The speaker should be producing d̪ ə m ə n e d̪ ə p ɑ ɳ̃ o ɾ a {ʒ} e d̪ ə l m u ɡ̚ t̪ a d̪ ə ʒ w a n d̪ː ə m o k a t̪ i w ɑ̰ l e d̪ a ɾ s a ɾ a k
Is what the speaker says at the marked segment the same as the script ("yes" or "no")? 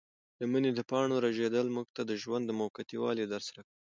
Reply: yes